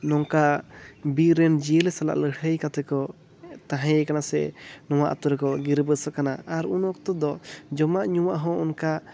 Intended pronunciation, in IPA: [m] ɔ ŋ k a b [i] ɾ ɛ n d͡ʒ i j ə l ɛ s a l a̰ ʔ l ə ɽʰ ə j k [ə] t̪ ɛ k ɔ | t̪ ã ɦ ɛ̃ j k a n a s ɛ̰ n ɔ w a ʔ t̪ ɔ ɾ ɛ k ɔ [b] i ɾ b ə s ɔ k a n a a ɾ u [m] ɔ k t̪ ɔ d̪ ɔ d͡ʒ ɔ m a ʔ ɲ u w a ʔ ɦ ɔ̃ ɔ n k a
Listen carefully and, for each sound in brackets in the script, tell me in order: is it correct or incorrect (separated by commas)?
incorrect, correct, incorrect, incorrect, incorrect